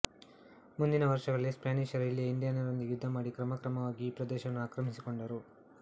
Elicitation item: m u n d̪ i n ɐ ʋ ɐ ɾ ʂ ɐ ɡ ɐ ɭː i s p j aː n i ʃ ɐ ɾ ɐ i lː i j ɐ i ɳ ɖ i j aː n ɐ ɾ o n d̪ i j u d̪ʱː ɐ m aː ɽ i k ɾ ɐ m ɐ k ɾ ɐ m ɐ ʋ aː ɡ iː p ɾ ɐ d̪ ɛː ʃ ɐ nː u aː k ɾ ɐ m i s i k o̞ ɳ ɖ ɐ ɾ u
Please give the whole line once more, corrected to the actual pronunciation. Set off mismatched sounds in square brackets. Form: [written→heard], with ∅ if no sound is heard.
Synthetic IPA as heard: m u n d̪ i n ɐ ʋ ɐ ɾ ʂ ɐ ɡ ɐ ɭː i s p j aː n i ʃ ɐ ɾ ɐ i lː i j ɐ i ɳ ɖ i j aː n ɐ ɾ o n d̪ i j u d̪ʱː ɐ m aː ɽ i k ɾ ɐ m ɐ k ɾ ɐ m ɐ ʋ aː ɡ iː p ɾ ɐ d̪ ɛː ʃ ɐ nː u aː k ɾ ɐ m i s i k o̞ ɳ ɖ ɐ ɾ u